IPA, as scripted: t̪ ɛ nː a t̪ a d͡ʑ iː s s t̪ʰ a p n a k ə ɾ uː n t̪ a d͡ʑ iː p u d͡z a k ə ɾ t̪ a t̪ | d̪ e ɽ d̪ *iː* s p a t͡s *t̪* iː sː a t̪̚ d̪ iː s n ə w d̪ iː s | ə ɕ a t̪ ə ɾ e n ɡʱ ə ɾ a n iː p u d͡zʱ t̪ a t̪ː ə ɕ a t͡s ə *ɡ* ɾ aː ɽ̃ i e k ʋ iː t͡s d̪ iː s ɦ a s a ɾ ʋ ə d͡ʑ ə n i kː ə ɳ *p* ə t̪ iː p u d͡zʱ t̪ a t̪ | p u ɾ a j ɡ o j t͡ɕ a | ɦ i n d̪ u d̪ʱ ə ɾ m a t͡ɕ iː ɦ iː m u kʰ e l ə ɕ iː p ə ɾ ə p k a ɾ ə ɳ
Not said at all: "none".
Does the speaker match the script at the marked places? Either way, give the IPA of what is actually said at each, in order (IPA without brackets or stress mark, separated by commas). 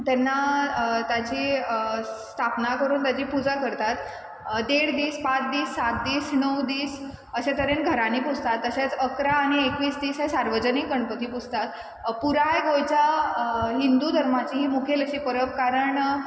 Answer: iː, d̪, k, p